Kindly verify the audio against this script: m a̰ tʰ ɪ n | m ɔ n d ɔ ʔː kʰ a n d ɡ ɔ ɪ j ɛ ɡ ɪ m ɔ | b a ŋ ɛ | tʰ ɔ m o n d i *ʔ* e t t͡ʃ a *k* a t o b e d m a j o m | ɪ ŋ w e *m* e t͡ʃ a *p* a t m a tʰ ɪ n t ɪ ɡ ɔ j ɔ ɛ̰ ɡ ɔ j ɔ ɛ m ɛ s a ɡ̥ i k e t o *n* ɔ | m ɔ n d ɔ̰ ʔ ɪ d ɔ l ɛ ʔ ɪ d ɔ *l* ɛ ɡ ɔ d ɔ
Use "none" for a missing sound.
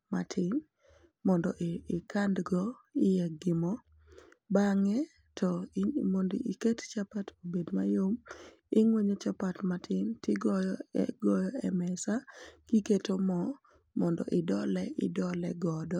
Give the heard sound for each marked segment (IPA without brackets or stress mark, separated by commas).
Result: k, p, ɲ, p, m, l